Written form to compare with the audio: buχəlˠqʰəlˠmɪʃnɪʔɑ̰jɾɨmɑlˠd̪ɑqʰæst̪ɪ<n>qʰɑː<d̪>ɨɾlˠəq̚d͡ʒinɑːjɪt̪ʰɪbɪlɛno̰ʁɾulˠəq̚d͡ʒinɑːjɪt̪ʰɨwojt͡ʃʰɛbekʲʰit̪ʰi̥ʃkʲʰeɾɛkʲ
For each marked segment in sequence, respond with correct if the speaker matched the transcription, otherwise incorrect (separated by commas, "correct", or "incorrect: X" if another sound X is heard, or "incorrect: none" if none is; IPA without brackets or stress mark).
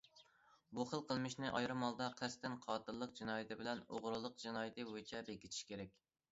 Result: correct, incorrect: t̪